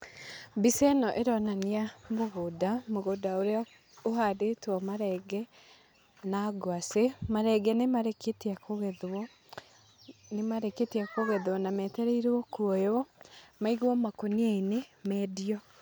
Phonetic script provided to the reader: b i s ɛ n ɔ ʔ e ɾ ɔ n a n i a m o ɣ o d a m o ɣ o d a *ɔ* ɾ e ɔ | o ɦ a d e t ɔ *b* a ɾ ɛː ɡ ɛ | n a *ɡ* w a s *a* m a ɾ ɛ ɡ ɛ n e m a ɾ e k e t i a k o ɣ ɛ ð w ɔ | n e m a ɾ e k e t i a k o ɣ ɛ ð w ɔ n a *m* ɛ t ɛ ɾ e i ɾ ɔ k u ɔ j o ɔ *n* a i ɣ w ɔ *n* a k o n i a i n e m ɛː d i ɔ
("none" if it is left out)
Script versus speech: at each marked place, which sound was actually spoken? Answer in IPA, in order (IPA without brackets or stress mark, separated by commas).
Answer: o, m, ɡ, e, m, m, m